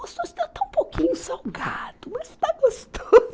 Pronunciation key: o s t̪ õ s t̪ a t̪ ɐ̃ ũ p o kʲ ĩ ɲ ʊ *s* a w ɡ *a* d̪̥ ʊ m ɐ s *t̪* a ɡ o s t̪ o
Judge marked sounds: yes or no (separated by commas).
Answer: yes, yes, yes